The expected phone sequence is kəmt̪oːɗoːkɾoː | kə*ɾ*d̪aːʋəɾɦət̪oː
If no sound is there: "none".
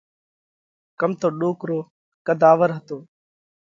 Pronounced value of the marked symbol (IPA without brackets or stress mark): none